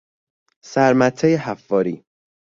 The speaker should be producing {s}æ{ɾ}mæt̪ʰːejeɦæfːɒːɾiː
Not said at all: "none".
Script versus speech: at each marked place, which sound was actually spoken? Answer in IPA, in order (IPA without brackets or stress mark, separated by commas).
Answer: s, ɾ